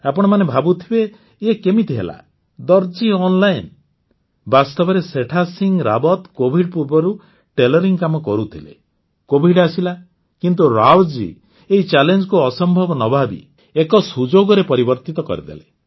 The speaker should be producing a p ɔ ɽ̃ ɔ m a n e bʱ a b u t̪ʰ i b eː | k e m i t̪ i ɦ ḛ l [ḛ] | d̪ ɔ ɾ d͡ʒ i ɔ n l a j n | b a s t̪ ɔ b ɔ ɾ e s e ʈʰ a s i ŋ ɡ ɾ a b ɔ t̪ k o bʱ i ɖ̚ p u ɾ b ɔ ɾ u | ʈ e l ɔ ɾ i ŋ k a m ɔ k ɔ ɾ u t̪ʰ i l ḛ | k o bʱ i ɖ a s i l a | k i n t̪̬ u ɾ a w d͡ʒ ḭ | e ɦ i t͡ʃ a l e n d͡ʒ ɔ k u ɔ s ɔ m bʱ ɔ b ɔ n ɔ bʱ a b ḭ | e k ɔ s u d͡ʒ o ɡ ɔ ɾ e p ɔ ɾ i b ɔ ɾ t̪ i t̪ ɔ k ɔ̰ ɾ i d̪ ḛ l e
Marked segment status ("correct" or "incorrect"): incorrect